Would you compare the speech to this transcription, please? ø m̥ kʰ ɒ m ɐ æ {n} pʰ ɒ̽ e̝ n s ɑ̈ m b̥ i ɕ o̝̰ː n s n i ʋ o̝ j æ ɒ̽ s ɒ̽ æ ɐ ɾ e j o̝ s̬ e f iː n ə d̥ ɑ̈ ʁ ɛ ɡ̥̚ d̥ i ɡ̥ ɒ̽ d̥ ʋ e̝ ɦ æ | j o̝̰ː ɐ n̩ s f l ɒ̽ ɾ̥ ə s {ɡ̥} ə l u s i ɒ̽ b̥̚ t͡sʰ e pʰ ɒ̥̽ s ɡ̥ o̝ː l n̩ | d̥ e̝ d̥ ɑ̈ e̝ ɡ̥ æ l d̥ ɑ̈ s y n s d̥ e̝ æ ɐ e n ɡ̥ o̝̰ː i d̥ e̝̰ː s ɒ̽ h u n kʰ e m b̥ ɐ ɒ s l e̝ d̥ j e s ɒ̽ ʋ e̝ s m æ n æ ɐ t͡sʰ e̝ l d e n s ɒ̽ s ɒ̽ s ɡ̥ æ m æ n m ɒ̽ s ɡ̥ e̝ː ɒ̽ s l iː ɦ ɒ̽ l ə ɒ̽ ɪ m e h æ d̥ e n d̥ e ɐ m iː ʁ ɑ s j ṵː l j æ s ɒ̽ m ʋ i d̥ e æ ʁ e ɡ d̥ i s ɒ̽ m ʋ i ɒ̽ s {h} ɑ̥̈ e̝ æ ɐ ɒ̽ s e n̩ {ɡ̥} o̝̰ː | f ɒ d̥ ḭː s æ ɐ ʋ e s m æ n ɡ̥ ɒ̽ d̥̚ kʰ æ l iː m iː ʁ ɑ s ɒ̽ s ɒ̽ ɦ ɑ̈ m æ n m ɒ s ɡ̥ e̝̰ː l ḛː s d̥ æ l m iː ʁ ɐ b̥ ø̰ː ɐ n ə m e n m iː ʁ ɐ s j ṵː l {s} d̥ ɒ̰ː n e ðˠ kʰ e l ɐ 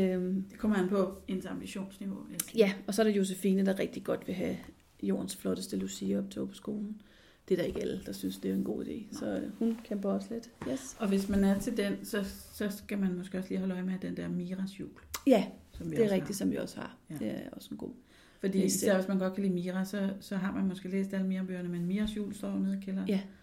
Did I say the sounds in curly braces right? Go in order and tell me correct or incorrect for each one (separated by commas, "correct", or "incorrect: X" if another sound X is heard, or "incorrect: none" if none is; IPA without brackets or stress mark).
correct, incorrect: d̥, correct, correct, correct